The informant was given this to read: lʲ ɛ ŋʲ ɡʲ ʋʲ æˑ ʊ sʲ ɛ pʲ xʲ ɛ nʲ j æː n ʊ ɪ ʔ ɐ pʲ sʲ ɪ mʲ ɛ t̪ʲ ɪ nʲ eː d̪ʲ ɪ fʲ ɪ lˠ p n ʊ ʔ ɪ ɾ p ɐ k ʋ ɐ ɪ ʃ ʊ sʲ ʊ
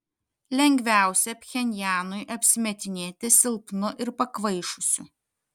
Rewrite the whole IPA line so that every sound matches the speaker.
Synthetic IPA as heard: lʲ ɛ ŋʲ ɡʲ ʋʲ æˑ ʊ sʲ ɛ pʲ xʲ ɛ nʲ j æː n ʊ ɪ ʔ ɐ pʲ sʲ ɪ mʲ ɛ t̪ʲ ɪ nʲ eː t̪ʲ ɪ sʲ ɪ lˠ p n ʊ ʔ ɪ ɾ p ɐ k ʋ ɐ ɪ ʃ ʊ sʲ ʊ